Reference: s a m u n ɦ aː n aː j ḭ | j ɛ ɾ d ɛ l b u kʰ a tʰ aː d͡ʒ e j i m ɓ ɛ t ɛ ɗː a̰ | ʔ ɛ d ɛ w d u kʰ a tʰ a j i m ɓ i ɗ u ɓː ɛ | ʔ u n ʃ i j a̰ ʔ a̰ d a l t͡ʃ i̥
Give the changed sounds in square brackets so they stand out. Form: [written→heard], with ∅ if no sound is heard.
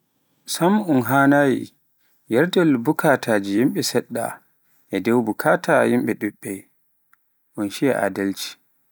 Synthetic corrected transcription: s a m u n ɦ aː n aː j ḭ | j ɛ ɾ d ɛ l b u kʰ a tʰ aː d͡ʒ [e→i] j i m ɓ ɛ [t→s] ɛ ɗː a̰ | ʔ ɛ d ɛ w [d→b] u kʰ a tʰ a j i m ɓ [i→ɛ] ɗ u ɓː ɛ | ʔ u n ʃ i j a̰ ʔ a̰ d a l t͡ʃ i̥